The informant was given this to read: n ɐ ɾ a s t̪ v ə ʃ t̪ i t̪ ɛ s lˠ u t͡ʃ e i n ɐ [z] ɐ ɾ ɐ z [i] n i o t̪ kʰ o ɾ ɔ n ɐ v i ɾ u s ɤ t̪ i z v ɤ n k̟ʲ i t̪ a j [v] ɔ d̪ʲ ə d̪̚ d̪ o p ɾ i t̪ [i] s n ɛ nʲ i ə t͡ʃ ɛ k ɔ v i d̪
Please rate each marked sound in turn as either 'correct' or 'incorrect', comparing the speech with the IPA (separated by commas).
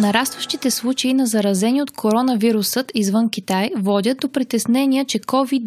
correct, incorrect, correct, incorrect